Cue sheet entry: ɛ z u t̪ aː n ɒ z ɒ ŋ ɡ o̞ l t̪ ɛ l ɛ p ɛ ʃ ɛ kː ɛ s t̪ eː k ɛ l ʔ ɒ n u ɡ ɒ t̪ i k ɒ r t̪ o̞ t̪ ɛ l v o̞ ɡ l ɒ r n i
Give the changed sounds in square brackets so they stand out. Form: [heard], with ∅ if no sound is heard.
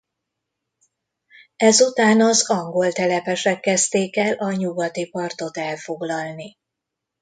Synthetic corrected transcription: ɛ z u t̪ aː n ɒ z ɒ ŋ ɡ o̞ l t̪ ɛ l ɛ p ɛ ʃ ɛ kː ɛ s t̪ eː k ɛ l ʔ ɒ [ɲ] u ɡ ɒ t̪ i [p] ɒ r t̪ o̞ t̪ ɛ l [f] o̞ ɡ l ɒ [l] n i